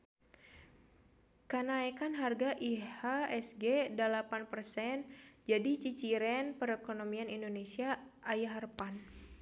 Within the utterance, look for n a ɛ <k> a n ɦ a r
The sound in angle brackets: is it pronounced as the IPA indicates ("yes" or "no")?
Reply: yes